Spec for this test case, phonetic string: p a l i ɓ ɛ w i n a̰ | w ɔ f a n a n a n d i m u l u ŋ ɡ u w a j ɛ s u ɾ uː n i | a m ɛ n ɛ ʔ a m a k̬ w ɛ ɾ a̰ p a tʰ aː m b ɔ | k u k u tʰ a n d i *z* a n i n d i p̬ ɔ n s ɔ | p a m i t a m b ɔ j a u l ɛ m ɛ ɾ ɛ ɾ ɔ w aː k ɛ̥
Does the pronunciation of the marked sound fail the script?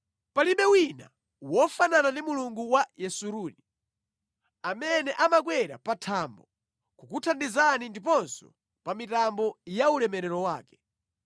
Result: no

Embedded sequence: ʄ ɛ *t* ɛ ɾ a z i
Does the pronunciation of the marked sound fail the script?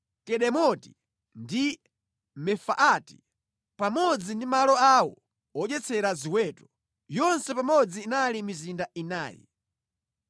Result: yes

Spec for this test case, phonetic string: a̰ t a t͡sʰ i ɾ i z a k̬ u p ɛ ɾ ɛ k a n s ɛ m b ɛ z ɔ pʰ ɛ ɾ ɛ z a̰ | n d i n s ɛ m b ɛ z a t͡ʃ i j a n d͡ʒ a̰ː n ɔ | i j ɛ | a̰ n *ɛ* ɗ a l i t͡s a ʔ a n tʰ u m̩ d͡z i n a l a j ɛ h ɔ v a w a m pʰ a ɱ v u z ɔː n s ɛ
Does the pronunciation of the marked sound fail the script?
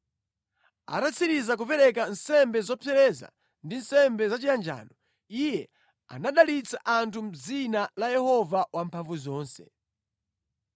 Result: yes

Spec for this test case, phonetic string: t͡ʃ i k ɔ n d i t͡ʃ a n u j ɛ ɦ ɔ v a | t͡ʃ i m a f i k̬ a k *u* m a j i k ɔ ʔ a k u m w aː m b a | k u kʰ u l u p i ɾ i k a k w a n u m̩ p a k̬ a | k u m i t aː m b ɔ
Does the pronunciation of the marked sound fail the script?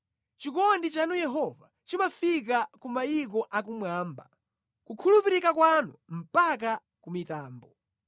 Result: no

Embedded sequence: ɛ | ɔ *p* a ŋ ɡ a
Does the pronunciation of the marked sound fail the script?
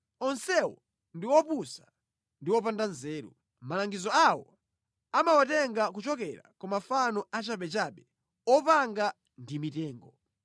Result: no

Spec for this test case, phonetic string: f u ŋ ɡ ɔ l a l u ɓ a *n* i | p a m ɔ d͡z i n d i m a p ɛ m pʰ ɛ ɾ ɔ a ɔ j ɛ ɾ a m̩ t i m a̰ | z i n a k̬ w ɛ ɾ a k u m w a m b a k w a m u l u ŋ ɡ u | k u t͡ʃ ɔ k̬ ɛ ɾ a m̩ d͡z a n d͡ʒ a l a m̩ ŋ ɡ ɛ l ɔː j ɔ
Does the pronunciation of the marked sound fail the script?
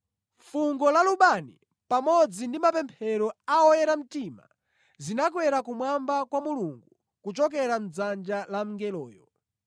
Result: no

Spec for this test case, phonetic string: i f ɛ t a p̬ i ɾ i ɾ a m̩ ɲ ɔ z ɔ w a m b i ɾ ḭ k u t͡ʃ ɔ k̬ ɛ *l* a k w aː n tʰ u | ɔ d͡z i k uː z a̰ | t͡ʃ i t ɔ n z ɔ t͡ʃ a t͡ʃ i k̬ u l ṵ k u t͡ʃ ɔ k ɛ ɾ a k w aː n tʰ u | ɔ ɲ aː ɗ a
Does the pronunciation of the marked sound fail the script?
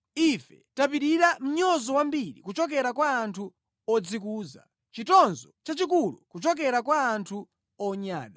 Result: yes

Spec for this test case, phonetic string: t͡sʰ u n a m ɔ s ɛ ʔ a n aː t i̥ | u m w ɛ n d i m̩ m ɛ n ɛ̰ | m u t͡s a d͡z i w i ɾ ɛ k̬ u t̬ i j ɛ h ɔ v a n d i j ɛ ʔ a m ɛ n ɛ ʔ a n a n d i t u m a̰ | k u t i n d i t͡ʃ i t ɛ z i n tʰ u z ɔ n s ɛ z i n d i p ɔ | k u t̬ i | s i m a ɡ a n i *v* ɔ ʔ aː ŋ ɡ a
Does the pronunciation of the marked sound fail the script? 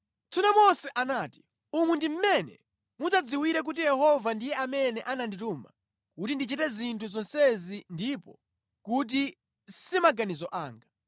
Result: yes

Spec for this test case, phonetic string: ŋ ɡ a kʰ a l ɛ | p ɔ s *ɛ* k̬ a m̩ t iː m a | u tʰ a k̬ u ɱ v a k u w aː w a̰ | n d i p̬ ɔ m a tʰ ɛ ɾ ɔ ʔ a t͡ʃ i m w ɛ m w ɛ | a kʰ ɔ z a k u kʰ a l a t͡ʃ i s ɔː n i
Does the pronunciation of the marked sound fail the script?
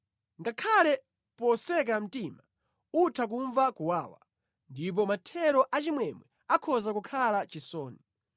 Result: no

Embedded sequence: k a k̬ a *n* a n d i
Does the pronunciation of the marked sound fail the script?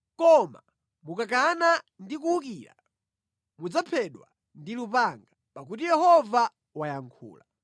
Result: no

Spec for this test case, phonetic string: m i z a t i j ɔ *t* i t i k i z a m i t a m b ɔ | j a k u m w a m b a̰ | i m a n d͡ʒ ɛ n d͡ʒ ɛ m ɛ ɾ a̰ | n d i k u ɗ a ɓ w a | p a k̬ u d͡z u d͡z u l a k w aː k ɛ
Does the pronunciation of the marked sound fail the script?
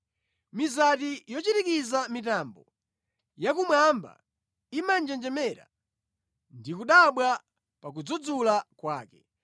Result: yes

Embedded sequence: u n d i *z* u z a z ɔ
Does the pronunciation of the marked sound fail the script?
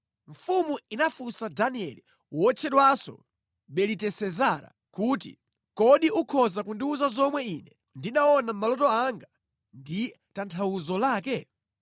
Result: yes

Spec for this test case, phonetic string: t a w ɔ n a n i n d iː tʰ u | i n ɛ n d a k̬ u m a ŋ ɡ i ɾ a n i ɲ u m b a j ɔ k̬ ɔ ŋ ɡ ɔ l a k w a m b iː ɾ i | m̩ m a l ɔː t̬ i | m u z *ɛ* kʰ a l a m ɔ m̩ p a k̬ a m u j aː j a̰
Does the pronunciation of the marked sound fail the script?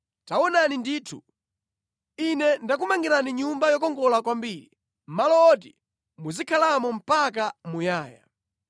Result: yes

